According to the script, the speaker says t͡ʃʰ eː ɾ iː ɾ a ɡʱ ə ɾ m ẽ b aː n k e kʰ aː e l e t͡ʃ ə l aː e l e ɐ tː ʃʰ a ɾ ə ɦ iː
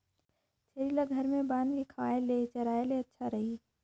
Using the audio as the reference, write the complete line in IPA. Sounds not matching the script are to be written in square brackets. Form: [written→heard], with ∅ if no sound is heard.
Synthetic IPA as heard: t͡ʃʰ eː ɾ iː [ɾ→l] a ɡʱ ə ɾ m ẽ b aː n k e kʰ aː e l e t͡ʃ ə [l→ɾ] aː e l e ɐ tː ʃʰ a ɾ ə ɦ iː